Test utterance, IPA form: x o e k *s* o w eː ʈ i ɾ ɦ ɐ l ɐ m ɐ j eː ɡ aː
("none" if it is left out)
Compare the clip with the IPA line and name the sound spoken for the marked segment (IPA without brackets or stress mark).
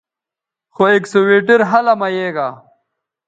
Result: s